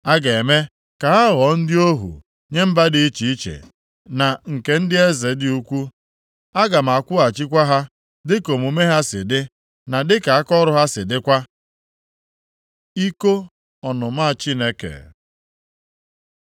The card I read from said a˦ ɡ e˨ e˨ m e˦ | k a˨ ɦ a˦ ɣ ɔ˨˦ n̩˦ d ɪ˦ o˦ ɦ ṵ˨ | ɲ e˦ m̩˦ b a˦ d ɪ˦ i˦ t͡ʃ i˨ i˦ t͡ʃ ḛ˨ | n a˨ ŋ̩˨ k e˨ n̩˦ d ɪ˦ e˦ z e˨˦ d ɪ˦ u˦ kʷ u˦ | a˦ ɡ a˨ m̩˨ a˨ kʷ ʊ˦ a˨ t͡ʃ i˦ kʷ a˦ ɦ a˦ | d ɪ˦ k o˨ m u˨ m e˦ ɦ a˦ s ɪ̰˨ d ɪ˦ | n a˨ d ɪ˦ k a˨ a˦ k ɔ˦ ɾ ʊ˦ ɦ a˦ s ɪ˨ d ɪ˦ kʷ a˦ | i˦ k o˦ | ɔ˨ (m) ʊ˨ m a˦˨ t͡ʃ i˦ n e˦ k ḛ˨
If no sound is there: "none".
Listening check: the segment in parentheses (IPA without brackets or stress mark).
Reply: n